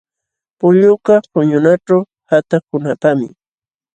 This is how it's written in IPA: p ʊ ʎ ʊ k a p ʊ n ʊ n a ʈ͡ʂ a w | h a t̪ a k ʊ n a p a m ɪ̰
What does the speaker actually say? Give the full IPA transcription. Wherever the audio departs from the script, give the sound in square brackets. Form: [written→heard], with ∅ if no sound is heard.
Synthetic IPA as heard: p ʊ ʎ ʊ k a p ʊ [n→ɲ] ʊ n a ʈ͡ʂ a w | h a t̪ a k ʊ n a p a m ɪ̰